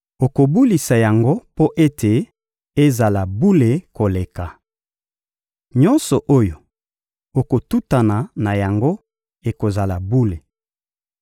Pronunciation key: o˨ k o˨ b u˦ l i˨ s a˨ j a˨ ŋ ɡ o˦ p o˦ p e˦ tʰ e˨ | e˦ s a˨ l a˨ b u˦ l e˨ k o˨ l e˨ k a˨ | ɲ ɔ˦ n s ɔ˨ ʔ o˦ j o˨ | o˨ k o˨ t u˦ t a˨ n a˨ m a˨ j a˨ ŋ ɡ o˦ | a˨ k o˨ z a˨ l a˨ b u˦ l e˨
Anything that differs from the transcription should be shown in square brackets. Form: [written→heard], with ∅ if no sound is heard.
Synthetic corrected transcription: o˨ k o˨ b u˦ l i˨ s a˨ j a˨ ŋ ɡ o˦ p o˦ [p→ʔ] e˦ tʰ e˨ | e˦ [s→z] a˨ l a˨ b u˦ l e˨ k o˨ l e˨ k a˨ | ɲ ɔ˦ n s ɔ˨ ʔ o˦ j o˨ | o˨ k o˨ t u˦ t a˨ n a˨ [m→n] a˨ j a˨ ŋ ɡ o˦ | [a˨→e˨] k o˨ z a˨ l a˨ b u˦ l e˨